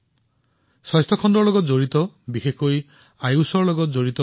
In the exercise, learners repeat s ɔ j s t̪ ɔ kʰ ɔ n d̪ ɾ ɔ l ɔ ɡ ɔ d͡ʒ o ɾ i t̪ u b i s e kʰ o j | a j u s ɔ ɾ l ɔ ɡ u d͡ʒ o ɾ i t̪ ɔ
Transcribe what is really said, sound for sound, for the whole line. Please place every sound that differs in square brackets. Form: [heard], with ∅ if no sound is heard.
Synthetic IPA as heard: s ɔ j s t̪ ɔ kʰ ɔ n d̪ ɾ ɔ l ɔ ɡ ɔ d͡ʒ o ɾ i t̪ [ɔ] b i [x] e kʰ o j | a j u s ɔ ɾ l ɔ ɡ [ɔ] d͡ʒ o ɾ i t̪ ɔ